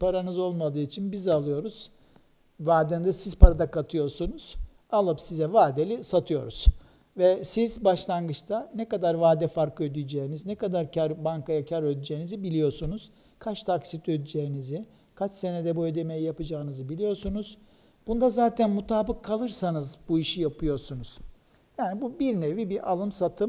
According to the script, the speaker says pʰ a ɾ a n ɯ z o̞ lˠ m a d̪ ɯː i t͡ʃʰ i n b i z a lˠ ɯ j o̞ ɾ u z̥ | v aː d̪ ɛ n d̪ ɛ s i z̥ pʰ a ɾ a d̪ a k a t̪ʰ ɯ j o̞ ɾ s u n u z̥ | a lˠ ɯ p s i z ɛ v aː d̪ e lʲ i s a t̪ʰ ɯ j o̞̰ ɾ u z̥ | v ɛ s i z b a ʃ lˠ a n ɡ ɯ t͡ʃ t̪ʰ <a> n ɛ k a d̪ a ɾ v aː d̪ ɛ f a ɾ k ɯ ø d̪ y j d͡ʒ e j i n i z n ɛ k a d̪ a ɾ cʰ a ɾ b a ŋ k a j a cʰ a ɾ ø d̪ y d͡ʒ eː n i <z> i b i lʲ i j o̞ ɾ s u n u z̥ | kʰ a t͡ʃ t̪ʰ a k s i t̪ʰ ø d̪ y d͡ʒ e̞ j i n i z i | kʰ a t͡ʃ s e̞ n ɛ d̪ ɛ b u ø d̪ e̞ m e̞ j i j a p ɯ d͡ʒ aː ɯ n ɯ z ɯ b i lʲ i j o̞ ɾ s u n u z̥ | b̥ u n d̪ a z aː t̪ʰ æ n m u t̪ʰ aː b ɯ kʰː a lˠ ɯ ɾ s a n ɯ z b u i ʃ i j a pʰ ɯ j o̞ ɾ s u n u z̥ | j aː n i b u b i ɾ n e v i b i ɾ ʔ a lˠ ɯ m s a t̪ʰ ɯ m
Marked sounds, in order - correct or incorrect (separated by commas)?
correct, correct